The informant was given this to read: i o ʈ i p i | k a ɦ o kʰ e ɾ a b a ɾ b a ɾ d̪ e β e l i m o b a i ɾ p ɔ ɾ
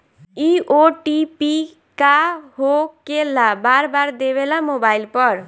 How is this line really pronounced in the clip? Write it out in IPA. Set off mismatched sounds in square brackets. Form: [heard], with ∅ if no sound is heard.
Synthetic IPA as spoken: i o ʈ i p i | k a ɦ o [k] e [l] a b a ɾ b a ɾ d̪ e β e l [a] m o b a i [l] p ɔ ɾ